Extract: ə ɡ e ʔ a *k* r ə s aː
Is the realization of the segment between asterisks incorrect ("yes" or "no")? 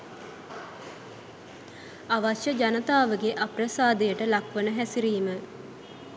yes